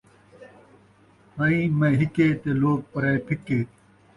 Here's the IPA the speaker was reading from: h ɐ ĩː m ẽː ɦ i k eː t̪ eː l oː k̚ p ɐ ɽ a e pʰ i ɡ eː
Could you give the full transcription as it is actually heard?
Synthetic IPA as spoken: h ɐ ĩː m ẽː ɦ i k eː t̪ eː l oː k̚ p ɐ ɾ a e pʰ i k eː

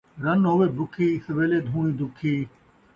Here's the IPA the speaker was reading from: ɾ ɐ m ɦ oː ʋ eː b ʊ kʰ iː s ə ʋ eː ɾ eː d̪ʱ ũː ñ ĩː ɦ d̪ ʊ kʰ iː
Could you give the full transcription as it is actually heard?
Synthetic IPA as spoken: ɾ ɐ n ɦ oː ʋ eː b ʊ kʰ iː s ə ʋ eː l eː d̪ʱ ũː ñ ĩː d̪ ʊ kʰ iː

